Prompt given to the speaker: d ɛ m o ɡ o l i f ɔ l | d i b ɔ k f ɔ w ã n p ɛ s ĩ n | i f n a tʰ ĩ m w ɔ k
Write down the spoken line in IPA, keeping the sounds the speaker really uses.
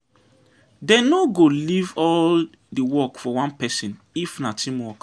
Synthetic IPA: d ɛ n o ɡ o l i v ɔ l | d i w ɔ k f ɔ w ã n p ɛ s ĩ n | i f n a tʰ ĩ m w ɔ k